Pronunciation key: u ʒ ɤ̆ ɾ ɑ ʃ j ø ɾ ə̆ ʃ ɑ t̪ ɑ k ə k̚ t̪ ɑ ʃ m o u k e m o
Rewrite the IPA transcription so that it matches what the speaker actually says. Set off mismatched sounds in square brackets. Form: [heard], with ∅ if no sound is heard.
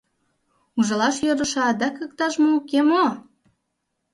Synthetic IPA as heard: u ʒ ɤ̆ [l] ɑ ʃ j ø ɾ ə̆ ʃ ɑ [d̪] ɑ k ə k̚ t̪ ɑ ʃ m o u k e m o